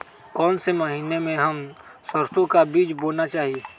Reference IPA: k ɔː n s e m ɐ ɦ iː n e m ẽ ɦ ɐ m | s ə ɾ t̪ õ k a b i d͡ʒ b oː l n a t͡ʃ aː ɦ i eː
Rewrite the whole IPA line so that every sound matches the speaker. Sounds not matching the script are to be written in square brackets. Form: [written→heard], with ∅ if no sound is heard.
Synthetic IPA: k ɔː n s e m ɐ ɦ iː n e m ẽ ɦ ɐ m | s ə ɾ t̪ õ k a b [i→iː] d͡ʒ b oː l n a t͡ʃ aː ɦ i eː